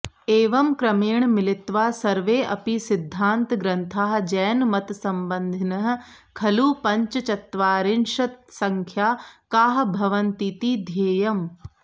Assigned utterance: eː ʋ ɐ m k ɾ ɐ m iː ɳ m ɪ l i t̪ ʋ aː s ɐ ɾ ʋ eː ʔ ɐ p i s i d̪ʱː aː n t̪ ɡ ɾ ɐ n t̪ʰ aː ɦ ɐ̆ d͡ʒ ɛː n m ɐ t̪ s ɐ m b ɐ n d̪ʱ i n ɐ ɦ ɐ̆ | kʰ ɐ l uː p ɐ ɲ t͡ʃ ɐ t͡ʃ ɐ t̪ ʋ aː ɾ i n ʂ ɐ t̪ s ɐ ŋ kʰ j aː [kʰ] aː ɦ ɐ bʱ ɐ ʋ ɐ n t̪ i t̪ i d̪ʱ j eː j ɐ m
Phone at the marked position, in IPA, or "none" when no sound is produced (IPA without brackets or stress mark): k